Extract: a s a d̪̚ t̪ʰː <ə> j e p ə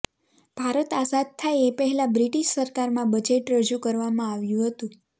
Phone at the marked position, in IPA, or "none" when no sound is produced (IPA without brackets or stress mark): a